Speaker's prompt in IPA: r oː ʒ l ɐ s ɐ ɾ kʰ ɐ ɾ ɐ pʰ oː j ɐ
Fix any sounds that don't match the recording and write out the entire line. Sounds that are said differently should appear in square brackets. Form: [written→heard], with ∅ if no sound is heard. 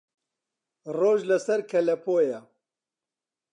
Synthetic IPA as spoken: r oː ʒ l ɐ s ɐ ɾ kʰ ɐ [ɾ→l] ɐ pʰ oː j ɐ